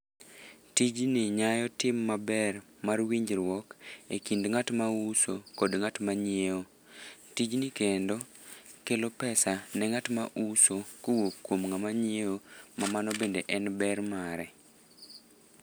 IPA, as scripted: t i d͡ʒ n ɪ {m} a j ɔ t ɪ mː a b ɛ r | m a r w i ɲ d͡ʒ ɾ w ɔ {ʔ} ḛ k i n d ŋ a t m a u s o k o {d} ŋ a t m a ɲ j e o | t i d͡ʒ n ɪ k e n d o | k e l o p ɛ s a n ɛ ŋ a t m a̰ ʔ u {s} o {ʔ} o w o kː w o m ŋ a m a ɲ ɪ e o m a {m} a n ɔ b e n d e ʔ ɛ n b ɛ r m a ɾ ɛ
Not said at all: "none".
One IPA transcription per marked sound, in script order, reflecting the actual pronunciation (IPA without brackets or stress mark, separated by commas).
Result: ɲ, k, d, s, k, m